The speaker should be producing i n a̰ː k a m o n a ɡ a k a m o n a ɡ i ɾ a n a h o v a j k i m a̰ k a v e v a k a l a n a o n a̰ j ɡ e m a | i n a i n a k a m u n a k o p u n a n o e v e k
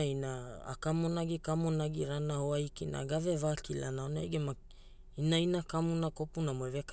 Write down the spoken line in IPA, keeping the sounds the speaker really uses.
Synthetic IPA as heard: i n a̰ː k a m o n a ɡ i k a m o n a ɡ i ɾ a n a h o a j k i n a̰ ɡ a v e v a k i l a n a o n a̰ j ɡ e m a | i n a i n a k a m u n a k o p u n a m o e v e k